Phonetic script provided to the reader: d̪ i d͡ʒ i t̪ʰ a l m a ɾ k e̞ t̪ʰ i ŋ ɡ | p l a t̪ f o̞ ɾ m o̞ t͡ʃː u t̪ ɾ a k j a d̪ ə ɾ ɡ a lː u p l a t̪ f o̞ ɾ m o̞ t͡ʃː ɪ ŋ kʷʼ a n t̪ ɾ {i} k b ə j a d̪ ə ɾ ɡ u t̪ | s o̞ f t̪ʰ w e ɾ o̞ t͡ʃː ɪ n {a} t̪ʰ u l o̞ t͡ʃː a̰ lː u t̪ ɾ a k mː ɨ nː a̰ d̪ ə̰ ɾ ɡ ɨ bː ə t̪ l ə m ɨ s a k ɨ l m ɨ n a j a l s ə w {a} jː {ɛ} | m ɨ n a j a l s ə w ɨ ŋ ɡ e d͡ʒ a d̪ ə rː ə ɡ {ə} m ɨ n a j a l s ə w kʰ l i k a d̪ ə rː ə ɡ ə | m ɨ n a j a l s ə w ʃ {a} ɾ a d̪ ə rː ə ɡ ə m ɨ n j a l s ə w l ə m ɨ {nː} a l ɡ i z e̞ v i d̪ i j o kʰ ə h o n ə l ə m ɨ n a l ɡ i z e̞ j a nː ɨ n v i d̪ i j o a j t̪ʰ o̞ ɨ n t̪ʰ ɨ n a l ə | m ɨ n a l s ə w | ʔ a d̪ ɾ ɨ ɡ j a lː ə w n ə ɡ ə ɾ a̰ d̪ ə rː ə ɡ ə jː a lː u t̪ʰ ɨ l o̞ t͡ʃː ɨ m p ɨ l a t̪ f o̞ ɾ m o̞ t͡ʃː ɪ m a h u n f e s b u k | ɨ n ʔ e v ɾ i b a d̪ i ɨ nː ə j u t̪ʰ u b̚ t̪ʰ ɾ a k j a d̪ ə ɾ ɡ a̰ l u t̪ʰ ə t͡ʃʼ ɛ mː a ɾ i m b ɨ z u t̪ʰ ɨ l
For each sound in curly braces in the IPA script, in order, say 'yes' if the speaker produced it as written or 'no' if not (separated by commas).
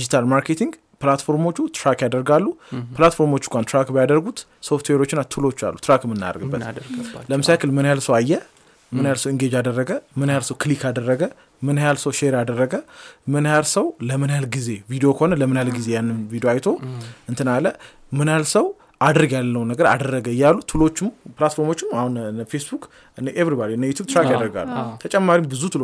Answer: no, yes, yes, yes, yes, no, no